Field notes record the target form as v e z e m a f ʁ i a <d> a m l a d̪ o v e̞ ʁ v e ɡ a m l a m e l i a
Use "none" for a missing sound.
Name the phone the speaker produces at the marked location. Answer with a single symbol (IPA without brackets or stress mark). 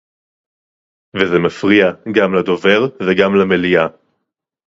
ɡ